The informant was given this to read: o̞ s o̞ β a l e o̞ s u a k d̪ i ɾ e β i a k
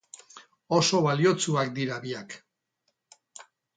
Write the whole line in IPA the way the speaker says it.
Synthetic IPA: o̞ s o̞ β a l i o̞ t͡s u a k d̪ i ɾ a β i a k